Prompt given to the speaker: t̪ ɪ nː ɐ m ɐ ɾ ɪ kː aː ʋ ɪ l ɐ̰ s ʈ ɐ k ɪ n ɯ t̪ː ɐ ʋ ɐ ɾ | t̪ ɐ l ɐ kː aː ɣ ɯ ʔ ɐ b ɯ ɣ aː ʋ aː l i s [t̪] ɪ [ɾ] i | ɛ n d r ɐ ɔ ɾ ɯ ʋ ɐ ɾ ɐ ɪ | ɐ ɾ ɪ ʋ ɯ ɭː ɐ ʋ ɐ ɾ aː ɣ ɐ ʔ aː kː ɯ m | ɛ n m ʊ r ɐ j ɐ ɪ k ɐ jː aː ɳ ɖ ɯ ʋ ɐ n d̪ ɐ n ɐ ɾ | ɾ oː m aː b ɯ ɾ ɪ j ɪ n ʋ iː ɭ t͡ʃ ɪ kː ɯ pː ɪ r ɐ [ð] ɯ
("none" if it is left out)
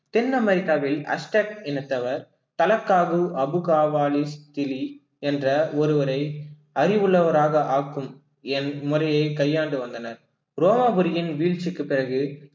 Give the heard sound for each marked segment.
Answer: t̪, l, ɣ

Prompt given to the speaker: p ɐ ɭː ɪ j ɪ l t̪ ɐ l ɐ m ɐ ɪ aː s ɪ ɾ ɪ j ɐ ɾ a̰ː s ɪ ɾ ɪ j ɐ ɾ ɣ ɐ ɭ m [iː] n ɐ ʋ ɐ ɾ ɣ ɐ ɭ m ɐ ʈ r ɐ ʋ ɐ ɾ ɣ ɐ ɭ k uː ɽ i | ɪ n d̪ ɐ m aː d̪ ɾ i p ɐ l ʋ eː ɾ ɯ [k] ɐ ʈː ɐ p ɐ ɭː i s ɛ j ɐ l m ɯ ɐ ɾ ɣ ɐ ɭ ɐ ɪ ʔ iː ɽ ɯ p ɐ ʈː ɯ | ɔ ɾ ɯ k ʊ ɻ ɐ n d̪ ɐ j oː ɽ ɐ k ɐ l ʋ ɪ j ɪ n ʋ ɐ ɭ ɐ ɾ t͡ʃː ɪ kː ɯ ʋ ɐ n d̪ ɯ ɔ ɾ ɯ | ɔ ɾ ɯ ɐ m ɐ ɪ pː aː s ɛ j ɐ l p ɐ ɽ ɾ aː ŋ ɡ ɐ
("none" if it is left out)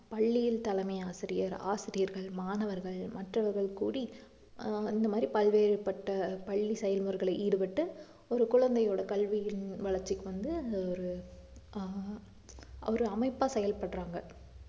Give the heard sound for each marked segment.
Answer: aː, p

